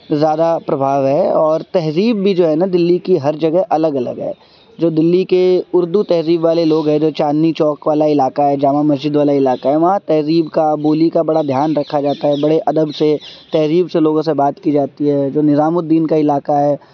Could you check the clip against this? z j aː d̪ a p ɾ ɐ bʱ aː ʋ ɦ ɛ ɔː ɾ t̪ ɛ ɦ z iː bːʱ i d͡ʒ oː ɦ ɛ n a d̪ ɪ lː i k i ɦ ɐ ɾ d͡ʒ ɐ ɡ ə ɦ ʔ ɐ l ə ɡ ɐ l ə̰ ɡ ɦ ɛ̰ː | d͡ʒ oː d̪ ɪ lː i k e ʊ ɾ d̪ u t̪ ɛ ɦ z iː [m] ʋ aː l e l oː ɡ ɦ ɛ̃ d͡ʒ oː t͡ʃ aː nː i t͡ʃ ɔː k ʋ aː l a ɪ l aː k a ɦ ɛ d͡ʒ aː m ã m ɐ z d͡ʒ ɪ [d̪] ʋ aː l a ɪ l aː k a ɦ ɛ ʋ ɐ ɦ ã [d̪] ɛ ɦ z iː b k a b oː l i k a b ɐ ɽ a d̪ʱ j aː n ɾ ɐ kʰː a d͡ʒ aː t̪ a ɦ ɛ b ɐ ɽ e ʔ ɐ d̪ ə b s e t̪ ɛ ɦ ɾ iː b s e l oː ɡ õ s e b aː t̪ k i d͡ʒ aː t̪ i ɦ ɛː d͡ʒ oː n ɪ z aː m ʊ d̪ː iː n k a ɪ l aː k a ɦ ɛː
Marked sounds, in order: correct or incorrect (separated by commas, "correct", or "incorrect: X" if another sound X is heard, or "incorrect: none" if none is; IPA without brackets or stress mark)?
incorrect: b, correct, incorrect: t̪